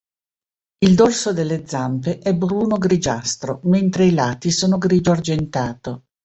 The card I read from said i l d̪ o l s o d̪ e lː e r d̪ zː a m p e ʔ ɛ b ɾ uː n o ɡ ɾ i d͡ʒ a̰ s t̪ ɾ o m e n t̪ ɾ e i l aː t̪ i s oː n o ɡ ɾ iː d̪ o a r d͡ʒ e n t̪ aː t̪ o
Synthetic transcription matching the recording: i l d̪ o l s o d̪ e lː e d̪ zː a m p e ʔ ɛ b ɾ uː n o ɡ ɾ i d͡ʒ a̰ s t̪ ɾ o m e n t̪ ɾ e i l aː t̪ i s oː n o ɡ ɾ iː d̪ o a r d͡ʒ e n t̪ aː t̪ o